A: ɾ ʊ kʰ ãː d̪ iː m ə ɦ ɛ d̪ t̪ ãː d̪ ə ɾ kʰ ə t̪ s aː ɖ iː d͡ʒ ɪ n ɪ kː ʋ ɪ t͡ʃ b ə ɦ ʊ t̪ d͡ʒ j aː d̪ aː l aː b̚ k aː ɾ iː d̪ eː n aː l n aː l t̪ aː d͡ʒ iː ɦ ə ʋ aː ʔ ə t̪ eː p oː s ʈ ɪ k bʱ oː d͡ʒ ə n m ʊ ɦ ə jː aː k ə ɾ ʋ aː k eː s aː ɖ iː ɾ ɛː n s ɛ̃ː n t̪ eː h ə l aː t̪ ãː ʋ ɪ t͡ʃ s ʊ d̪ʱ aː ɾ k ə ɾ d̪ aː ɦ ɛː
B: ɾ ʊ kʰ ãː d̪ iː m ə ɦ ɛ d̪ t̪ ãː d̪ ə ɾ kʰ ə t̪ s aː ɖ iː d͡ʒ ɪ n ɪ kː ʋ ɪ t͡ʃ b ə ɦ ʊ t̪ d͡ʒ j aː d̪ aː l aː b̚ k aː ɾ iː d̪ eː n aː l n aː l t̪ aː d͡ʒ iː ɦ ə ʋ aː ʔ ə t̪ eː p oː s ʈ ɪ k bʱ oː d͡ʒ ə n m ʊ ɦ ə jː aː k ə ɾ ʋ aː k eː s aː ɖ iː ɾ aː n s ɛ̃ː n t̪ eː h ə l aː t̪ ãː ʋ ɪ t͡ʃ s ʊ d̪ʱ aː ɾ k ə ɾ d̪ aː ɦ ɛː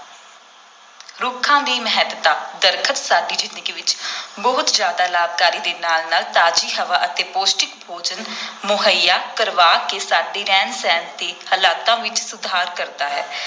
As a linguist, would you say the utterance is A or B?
A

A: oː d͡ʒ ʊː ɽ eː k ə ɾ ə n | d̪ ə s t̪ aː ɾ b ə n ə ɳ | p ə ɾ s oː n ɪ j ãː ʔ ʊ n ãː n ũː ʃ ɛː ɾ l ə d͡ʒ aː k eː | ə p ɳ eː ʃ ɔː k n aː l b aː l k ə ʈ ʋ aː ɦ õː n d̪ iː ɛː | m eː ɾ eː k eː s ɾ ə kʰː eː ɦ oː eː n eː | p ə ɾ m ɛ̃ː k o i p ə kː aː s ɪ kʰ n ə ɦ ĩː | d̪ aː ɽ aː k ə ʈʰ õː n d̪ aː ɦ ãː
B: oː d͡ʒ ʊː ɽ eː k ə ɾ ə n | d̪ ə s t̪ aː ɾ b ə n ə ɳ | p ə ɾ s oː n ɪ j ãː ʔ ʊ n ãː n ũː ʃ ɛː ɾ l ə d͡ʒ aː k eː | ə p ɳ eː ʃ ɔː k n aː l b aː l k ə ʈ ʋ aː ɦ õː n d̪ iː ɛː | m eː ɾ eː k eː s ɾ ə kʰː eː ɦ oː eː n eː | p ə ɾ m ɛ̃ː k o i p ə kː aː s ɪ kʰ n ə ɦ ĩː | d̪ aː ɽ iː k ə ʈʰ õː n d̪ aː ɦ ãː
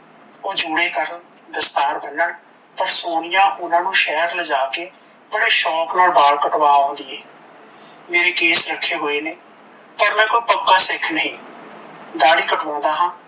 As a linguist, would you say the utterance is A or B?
B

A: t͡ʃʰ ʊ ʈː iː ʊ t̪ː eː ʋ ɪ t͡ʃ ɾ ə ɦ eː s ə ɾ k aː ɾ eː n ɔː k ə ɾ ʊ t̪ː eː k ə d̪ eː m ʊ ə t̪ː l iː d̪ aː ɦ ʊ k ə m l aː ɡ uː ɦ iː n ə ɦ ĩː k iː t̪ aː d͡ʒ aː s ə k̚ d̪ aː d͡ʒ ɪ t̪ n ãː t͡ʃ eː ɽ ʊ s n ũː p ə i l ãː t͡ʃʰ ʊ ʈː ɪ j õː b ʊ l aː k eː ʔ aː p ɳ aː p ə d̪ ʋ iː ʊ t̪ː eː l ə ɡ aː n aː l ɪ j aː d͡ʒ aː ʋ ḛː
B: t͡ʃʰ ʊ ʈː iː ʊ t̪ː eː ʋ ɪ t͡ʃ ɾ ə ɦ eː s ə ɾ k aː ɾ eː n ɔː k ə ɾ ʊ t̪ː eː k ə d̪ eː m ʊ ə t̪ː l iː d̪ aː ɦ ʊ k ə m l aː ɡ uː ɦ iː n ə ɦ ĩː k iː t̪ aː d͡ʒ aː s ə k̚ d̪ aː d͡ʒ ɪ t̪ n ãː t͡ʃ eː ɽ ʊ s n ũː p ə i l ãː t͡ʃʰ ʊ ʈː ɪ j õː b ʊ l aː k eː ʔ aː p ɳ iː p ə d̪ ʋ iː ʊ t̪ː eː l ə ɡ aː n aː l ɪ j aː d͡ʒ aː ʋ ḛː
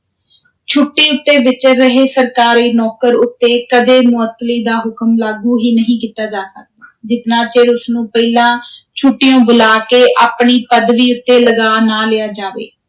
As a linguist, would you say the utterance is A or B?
B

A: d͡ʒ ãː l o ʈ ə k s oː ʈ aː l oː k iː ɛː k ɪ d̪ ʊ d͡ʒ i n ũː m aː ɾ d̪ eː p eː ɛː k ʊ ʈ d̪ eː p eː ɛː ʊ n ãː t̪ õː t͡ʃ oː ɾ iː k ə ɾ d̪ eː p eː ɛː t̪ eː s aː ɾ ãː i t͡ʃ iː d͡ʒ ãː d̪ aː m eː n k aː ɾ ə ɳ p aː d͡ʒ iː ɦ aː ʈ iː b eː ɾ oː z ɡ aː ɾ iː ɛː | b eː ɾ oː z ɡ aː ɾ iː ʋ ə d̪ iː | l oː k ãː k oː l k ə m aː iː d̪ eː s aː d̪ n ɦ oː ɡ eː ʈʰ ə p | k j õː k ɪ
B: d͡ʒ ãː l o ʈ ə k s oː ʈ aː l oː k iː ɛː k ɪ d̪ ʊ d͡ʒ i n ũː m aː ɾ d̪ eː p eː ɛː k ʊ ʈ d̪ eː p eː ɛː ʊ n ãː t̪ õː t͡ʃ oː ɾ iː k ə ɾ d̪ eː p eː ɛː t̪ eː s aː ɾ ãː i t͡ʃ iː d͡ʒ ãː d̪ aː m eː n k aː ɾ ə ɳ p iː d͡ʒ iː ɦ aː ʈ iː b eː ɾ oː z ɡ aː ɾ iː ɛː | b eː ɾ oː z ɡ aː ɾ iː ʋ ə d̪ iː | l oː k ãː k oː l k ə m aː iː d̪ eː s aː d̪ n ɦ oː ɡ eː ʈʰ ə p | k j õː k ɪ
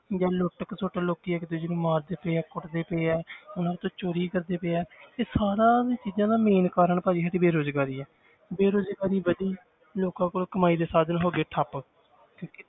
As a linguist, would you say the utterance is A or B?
A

